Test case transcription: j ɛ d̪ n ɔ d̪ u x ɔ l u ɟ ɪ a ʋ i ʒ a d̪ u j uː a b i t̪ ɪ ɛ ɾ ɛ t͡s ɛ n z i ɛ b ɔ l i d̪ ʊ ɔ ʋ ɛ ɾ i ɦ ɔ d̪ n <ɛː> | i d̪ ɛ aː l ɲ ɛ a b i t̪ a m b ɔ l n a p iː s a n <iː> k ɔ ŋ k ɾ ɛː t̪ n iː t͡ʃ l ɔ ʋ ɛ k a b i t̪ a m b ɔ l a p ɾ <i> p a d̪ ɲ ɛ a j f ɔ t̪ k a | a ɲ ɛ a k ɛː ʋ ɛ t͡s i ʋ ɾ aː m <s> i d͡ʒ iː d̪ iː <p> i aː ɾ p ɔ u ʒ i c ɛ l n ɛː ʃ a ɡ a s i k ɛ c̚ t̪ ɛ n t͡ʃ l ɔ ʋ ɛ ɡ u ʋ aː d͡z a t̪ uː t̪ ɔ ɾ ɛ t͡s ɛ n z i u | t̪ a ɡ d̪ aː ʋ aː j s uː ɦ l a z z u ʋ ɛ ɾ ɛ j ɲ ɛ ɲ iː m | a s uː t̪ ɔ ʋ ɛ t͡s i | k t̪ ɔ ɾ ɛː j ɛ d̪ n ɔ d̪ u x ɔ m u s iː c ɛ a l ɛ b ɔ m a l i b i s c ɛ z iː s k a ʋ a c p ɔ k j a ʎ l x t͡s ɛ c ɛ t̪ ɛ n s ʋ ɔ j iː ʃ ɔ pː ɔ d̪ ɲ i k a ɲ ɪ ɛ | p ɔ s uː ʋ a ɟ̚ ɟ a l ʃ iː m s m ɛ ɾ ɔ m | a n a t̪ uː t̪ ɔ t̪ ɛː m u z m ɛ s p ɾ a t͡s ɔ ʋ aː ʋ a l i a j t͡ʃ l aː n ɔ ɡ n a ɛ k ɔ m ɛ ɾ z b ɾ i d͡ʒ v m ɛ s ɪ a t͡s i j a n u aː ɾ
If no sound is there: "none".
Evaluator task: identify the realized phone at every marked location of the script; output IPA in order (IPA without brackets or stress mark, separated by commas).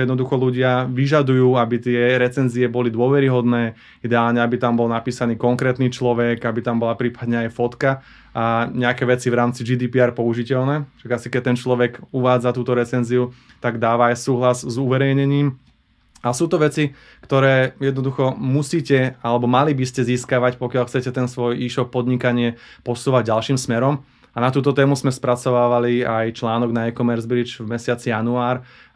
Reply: ɛː, iː, iː, t͡s, p